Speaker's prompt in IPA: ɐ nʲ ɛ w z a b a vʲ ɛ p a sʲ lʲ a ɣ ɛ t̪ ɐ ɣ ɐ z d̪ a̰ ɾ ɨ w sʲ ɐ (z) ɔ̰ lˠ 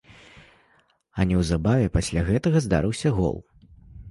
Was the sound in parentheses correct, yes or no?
no